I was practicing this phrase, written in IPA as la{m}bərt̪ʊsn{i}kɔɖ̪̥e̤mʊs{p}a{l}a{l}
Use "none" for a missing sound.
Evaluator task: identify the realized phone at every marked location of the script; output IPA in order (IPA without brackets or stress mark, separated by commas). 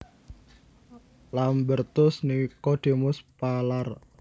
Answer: m, i, p, l, r